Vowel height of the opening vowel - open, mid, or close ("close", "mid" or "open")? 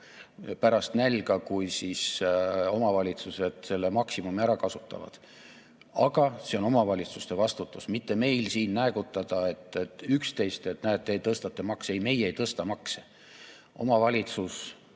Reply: open